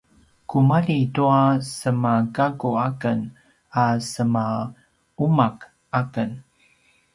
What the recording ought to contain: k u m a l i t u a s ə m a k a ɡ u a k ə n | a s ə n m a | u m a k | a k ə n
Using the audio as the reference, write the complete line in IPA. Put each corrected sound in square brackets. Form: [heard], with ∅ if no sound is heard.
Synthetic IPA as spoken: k u m a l i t u a s ə m a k a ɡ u a k ə n | a s ə [∅] m a | u m a k | a k ə n